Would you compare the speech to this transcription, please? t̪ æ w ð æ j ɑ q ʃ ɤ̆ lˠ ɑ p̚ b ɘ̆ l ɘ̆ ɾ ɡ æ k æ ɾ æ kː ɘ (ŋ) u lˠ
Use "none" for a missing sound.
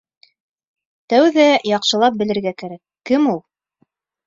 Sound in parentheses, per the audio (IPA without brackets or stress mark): m